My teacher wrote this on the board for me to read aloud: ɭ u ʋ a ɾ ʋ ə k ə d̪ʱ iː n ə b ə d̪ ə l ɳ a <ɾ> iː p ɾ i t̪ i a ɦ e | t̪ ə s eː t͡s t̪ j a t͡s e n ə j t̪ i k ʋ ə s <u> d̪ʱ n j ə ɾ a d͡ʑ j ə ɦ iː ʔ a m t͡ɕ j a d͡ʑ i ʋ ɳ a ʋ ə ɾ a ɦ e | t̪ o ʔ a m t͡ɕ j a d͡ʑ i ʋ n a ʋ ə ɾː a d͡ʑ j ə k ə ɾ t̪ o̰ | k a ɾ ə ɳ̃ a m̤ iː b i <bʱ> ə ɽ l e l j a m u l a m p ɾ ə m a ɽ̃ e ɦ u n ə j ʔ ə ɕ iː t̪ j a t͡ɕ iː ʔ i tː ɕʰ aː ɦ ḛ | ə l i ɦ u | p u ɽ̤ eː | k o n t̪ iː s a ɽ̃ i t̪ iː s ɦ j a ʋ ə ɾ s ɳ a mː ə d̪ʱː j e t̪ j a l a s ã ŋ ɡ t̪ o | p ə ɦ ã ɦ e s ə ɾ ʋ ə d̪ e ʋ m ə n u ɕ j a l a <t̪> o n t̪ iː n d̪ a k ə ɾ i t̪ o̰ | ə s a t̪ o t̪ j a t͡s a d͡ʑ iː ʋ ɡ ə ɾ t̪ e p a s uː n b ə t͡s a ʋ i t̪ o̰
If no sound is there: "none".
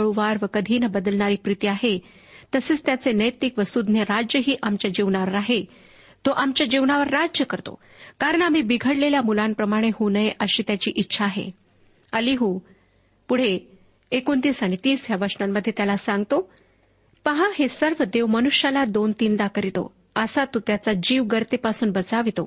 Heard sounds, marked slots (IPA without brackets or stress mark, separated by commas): ɾ, u, ɡʱ, d̪